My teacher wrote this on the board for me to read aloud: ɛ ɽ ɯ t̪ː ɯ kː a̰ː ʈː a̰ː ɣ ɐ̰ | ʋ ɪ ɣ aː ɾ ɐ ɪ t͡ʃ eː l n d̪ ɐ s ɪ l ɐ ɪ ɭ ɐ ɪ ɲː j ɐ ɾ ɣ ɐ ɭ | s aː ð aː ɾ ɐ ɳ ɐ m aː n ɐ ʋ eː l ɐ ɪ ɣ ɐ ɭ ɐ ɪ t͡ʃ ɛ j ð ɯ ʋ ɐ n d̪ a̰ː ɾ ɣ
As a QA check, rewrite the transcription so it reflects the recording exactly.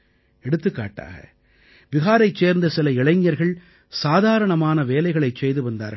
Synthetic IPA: ɛ ɽ ɯ t̪ː ɯ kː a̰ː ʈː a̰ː ɣ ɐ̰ | ʋ ɪ ɣ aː ɾ ɐ ɪ t͡ʃ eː ɾ n d̪ ɐ s ɪ l ɐ ɪ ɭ ɐ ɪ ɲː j ɐ ɾ ɣ ɐ ɭ | s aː ð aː ɾ ɐ ɳ ɐ m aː n ɐ ʋ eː l ɐ ɪ ɣ ɐ ɭ ɐ ɪ t͡ʃ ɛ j ð ɯ ʋ ɐ n d̪ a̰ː ɾ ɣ